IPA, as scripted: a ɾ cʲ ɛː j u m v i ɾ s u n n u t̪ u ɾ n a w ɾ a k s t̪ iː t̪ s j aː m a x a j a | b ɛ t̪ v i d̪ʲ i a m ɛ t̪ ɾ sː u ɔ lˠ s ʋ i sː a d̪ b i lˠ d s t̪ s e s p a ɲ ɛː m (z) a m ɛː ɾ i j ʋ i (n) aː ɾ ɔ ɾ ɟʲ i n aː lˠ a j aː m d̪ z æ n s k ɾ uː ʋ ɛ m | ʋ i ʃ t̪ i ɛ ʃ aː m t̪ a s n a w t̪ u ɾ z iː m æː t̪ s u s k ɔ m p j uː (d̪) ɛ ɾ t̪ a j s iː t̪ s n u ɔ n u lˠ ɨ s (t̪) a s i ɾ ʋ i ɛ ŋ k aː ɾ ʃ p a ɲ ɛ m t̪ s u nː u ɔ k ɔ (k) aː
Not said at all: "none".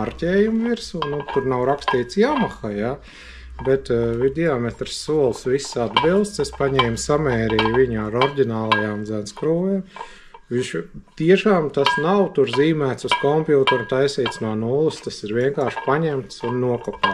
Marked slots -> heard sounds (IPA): s, ɲ, t̪, t̪, p

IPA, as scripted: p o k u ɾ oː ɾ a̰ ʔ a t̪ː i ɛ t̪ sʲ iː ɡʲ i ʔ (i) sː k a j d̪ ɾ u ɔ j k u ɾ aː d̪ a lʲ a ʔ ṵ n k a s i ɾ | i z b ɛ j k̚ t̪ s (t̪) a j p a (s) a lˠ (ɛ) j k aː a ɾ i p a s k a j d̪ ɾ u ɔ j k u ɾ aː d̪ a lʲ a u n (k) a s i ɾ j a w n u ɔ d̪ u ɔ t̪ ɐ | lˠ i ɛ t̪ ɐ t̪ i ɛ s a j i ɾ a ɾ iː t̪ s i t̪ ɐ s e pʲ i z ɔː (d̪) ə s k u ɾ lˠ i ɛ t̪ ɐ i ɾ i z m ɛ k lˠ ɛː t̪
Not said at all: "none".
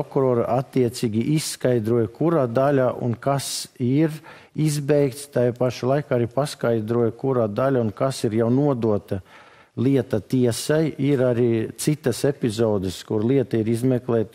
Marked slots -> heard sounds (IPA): i, t̪, ʃ, a, k, d̪

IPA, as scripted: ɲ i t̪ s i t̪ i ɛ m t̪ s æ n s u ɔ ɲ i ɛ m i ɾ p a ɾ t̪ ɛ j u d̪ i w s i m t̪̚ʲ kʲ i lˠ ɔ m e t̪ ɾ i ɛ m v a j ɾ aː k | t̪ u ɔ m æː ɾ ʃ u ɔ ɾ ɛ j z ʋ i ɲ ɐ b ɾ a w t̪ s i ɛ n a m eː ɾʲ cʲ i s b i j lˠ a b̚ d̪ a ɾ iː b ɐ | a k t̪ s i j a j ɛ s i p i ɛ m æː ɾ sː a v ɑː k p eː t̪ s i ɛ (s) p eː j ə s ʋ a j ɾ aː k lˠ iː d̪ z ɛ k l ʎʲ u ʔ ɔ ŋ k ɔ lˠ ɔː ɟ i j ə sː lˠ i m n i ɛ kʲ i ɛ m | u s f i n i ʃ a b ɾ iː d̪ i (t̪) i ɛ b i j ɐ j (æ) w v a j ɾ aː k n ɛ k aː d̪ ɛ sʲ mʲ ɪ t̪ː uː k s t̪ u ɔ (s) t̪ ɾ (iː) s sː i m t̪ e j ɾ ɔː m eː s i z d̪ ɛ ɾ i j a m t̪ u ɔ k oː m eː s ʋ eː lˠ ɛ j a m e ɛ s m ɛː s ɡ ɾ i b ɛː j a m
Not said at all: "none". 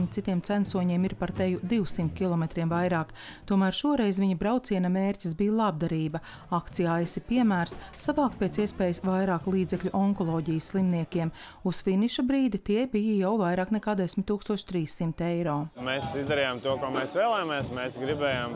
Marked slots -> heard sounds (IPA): s, t̪, a, ʃ, iː

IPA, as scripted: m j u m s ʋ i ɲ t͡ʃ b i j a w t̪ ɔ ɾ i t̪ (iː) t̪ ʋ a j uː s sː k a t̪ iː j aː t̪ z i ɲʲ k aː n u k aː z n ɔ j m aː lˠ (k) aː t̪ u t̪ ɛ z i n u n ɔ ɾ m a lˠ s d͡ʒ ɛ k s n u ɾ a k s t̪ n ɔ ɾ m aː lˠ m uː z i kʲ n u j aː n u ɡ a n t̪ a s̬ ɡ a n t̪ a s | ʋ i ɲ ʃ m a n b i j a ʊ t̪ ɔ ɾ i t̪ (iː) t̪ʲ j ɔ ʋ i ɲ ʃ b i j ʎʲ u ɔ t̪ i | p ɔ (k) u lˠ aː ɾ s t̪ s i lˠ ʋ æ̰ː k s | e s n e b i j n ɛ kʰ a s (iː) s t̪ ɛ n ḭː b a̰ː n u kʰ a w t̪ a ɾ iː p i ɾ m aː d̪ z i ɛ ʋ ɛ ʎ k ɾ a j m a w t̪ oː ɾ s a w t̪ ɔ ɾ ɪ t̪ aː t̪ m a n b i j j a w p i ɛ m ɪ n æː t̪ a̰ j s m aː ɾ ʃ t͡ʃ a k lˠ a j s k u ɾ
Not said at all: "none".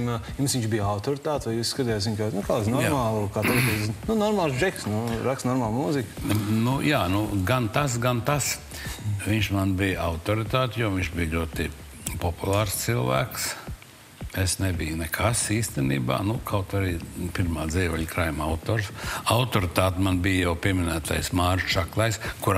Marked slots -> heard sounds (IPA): aː, k, aː, p, iː

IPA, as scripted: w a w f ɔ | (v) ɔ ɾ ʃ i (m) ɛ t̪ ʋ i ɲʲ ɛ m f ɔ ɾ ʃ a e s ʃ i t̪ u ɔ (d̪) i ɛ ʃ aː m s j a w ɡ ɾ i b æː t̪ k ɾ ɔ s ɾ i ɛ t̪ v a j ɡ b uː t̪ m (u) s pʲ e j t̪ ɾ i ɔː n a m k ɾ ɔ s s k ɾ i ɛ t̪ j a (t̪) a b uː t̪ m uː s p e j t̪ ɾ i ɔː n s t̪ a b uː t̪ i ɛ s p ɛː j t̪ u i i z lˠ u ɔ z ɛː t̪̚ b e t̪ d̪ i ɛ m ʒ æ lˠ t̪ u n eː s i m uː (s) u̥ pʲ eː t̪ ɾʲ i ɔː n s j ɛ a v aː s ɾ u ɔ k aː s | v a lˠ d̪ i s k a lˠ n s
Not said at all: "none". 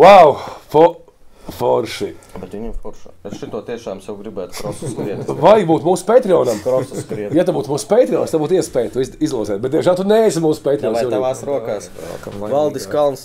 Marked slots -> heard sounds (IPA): f, b, t̪, uː, t̪, s

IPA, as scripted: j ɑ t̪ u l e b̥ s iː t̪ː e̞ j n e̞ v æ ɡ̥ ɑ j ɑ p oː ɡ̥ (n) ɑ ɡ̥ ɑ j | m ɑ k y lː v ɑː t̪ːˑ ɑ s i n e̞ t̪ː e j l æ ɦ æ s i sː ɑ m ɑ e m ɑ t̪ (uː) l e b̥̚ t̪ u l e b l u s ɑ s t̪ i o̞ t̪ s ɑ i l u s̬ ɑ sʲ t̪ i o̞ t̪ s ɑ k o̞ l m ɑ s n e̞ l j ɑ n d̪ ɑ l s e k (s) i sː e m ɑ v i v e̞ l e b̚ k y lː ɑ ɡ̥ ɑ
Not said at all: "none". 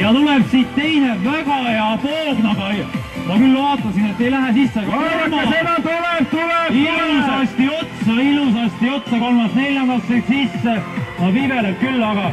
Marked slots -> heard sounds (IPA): n, u, s

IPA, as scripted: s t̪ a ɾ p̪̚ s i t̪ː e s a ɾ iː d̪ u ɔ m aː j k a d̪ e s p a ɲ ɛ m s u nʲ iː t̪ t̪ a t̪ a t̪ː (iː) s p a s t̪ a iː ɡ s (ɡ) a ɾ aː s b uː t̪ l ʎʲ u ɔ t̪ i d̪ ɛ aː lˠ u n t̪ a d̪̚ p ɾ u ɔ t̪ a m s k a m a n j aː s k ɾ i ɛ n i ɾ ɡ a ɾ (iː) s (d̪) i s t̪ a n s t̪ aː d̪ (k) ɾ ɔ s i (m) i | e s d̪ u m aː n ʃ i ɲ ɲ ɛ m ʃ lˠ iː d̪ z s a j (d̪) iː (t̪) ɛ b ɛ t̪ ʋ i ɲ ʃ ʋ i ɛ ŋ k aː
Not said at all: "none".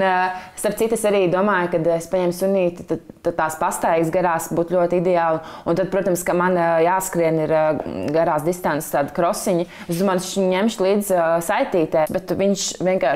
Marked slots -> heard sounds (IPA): aː, ɡ, aː, d̪, k, ɲ, t̪, t̪

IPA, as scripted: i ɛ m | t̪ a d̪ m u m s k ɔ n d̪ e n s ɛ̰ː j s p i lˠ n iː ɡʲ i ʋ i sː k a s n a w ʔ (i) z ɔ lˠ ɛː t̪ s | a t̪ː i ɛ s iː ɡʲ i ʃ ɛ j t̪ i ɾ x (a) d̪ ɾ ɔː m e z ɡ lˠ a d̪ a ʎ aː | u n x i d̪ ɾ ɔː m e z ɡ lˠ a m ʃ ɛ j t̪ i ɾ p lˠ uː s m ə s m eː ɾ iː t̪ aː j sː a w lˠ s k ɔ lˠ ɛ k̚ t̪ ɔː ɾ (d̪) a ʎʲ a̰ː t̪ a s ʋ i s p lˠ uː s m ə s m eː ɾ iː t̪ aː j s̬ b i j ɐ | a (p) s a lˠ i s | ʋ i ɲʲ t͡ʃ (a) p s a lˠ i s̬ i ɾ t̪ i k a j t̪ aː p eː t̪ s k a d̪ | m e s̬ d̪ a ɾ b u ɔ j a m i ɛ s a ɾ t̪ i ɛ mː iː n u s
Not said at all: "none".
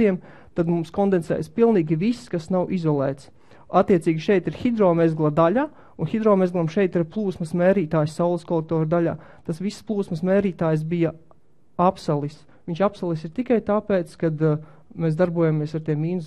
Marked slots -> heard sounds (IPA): i, i, d̪, p, a

